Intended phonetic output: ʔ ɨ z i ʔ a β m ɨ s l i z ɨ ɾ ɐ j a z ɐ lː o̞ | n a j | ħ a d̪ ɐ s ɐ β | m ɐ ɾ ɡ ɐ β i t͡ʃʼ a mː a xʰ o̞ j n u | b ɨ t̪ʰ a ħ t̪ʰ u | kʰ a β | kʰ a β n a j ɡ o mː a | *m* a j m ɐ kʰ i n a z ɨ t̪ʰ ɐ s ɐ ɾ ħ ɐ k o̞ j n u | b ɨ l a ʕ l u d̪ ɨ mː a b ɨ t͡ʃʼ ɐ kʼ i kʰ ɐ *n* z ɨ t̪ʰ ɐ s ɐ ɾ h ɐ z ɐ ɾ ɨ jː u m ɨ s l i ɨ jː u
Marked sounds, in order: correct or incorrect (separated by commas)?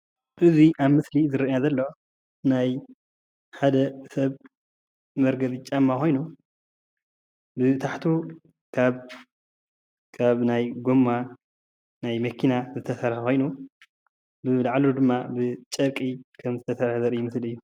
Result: incorrect, incorrect